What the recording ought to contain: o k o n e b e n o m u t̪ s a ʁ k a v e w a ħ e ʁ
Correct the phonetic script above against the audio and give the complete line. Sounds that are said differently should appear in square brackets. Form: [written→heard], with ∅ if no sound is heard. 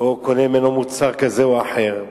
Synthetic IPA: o k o n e [b→m] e n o m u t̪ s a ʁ k a [v→z] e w a ħ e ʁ